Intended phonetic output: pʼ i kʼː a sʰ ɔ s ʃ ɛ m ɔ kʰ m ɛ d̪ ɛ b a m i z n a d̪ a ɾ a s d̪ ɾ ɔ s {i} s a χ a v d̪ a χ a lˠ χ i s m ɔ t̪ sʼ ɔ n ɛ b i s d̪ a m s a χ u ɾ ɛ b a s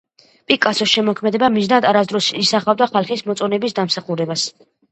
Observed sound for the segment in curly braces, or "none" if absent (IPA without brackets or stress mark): i